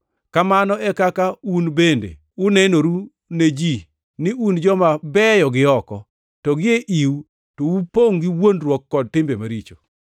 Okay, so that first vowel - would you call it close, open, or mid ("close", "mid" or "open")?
open